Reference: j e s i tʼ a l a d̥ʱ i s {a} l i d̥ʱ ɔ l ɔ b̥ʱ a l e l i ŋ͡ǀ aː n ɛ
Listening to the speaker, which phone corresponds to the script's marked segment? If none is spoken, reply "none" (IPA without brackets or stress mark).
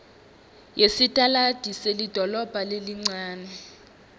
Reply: e